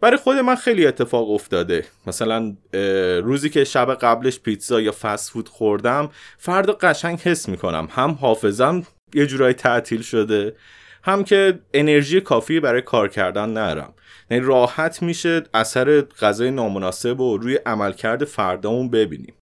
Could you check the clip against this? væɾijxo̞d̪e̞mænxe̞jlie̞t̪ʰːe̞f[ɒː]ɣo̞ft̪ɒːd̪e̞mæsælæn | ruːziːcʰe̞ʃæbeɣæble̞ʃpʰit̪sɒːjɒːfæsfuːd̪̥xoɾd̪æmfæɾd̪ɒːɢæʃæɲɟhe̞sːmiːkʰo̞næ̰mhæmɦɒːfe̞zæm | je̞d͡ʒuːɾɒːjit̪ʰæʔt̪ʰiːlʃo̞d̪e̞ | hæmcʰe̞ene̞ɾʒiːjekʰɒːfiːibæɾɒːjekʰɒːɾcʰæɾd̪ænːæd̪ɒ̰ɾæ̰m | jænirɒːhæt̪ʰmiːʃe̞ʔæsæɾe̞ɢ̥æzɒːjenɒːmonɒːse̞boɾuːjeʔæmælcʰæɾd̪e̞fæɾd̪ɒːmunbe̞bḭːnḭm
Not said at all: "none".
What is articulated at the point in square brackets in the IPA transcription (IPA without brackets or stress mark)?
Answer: ɒː